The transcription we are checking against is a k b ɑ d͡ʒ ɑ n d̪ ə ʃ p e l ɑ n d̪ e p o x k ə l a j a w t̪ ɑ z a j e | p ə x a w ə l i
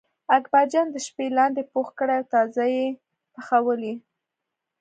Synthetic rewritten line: a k b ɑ d͡ʒ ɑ n d̪ ə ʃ p e l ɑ n d̪ e p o x k ə ɽ a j a w t̪ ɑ z a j e | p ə x a w ə l i